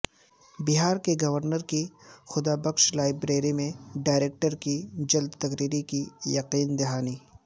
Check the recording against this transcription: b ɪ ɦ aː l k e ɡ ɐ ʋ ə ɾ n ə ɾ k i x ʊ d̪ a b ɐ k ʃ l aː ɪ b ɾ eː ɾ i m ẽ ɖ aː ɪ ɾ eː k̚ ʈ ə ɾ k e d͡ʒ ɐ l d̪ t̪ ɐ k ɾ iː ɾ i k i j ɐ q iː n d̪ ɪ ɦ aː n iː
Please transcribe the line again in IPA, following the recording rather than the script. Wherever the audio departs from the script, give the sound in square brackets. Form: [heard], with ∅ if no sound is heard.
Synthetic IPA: b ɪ ɦ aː [ɾ] k e ɡ ɐ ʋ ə ɾ n ə ɾ k i x ʊ d̪ a b ɐ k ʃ l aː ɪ b ɾ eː ɾ i m ẽ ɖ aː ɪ ɾ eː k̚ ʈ ə ɾ k [i] d͡ʒ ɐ l d̪ t̪ ɐ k ɾ iː ɾ i k i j ɐ q iː n d̪ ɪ ɦ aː n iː